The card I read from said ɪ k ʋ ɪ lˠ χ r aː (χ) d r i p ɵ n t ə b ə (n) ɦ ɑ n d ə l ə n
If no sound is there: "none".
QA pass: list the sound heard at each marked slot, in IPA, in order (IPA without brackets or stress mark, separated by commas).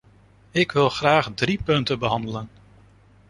χ, none